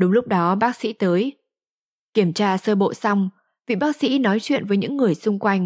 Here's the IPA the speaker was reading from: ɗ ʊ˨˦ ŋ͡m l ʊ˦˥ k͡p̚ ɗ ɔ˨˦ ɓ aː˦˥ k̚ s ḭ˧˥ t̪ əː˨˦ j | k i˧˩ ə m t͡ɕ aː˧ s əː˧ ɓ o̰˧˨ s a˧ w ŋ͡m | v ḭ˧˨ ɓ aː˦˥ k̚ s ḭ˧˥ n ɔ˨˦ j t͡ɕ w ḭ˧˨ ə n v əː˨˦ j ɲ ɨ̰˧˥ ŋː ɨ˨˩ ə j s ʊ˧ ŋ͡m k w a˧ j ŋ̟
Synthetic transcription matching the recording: ɗ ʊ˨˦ ŋ͡m l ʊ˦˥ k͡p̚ ɗ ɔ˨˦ ɓ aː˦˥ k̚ s ḭ˧˥ t̪ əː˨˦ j | k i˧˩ ə m t͡ɕ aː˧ s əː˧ ɓ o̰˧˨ s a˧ w ŋ͡m | v ḭ˧˨ ɓ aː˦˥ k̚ s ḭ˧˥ n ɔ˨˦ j t͡ɕ w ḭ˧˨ ə n v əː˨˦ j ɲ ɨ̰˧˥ ŋː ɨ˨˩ ə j s ʊ˧ ŋ͡m k w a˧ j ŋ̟